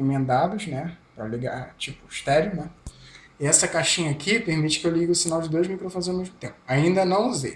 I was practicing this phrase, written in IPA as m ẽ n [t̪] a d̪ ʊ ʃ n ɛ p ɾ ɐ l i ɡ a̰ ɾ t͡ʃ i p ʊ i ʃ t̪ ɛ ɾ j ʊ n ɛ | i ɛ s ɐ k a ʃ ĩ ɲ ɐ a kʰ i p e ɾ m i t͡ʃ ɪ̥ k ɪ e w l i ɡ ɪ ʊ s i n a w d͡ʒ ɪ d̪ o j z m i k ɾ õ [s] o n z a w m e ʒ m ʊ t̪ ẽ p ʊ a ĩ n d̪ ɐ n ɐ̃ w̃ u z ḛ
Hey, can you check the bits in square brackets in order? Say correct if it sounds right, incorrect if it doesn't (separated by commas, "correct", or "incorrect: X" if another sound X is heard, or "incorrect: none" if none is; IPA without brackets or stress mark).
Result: incorrect: d̪, incorrect: f